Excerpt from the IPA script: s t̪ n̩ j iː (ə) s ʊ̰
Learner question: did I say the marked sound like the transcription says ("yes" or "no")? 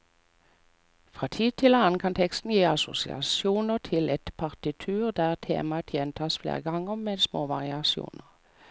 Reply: no